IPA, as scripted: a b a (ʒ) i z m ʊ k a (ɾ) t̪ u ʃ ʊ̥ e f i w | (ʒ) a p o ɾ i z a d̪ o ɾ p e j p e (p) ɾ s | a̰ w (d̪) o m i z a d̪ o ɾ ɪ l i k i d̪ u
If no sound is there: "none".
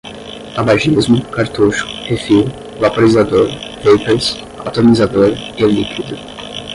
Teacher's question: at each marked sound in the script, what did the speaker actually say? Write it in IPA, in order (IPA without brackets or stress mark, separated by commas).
ʒ, ɾ, v, none, t̪